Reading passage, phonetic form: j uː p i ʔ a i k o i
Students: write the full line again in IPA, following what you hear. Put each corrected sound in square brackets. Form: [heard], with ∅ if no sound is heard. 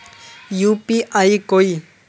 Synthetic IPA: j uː p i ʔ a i k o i